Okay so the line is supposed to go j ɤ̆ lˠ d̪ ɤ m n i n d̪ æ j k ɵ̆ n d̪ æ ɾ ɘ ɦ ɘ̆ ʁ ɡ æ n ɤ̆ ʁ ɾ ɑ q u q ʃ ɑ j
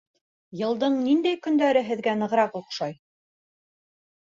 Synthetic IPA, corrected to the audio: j ɤ̆ lˠ d̪ ɤ ɴ n i n d̪ æ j k ɵ̆ n d̪ æ ɾ ɘ ɦ ɘ̆ ð ɡ æ n ɤ̆ ʁ ɾ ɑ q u q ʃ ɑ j